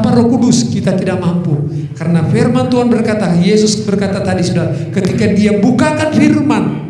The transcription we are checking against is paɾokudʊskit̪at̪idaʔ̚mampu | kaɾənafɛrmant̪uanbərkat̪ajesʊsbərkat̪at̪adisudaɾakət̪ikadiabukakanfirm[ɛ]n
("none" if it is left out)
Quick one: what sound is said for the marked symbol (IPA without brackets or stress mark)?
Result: a